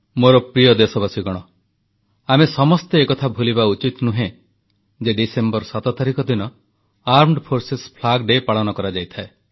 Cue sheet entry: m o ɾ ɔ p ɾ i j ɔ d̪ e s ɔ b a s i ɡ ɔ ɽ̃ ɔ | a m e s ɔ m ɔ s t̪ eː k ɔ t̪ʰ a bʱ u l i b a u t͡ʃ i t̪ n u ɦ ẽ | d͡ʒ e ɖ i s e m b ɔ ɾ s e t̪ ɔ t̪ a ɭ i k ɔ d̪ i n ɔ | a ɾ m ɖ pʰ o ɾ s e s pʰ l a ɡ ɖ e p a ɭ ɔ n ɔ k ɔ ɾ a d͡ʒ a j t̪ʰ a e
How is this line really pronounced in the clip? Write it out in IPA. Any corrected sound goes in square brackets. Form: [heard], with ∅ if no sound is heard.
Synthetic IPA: m o ɾ ɔ p ɾ i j ɔ d̪ e s ɔ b a s i ɡ ɔ ɽ̃ ɔ | a m e s ɔ m ɔ s t̪ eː k ɔ t̪ʰ a bʱ u l i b a u t͡ʃ i t̪ n u ɦ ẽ | d͡ʒ e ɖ i s e m b ɔ ɾ s [a] t̪ ɔ t̪ a [ɾ] i k ɔ d̪ i n ɔ | a ɾ m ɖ pʰ o ɾ s e s pʰ l a ɡ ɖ e p a ɭ ɔ n ɔ k ɔ ɾ a d͡ʒ a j t̪ʰ a e